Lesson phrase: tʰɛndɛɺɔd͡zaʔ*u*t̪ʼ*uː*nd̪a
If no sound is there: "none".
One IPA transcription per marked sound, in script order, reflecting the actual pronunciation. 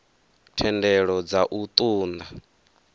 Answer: u, uː

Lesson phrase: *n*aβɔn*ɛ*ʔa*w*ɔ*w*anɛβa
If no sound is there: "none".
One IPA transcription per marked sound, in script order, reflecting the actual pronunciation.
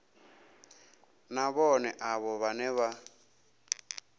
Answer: n, ɛ, β, β

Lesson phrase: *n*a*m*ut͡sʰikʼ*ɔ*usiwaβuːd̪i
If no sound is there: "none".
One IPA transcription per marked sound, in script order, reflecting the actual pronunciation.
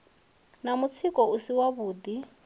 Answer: n, m, ɔ

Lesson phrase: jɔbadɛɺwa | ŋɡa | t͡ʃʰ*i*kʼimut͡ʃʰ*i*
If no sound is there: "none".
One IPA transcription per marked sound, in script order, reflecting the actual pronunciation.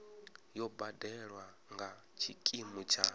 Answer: i, a

